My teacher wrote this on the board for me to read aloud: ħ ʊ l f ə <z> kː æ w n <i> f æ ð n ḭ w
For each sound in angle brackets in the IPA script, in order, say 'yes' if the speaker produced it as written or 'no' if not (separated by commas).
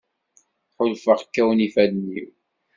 no, yes